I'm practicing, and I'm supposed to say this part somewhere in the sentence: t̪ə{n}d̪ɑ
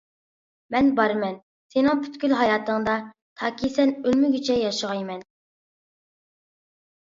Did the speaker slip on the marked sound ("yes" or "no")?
yes